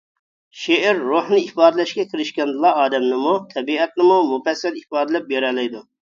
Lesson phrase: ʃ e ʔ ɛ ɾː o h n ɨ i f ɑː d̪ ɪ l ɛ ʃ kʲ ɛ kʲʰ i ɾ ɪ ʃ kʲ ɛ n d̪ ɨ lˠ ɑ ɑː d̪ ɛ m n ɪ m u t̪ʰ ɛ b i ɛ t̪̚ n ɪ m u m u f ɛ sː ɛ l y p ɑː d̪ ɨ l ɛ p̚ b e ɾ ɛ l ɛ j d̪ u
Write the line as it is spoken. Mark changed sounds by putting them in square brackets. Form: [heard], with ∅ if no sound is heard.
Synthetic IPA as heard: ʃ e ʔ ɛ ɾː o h n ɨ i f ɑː d̪ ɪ l ɛ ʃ kʲ ɛ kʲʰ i ɾ ɪ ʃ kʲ ɛ n d̪ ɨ lˠ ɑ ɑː d̪ ɛ m n ɪ m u t̪ʰ ɛ b i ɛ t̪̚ n ɪ m u m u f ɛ sː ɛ l [i] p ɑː d̪ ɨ l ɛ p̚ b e ɾ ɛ l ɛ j d̪ u